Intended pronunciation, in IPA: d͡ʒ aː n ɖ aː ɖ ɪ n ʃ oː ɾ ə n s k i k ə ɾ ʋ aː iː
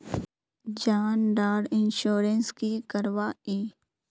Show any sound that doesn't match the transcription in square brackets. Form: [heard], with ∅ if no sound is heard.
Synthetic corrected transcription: d͡ʒ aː n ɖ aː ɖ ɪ n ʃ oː ɾ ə n s k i k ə ɾ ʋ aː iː